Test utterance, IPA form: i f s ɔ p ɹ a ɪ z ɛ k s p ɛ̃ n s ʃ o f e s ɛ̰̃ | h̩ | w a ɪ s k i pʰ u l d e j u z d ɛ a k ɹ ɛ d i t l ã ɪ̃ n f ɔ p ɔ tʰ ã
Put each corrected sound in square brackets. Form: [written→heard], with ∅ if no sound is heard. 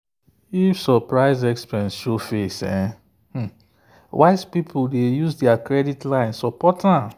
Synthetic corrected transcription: i f s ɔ p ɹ a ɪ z ɛ k s p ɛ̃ n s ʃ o f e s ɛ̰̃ | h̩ | w a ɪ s [k→p] i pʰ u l d e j u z d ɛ a k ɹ ɛ d i t l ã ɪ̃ n [f→s] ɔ p ɔ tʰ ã